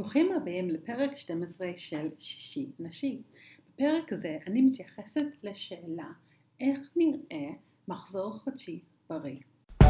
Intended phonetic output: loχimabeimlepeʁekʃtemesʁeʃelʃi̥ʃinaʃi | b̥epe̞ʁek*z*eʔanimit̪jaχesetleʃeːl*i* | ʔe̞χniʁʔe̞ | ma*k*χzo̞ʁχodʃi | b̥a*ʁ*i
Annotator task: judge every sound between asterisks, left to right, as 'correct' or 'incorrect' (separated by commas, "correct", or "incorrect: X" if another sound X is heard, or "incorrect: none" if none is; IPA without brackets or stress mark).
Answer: correct, incorrect: a, incorrect: none, correct